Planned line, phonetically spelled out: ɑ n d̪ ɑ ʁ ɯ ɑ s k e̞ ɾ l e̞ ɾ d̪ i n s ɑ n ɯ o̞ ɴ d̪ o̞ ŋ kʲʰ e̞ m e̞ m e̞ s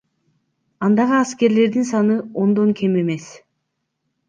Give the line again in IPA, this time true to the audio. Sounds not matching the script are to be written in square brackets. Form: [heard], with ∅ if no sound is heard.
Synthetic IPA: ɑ n d̪ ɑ ʁ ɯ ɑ s k e̞ ɾ l e̞ ɾ d̪ i n s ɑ n ɯ o̞ [n] d̪ o̞ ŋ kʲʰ e̞ m e̞ m e̞ s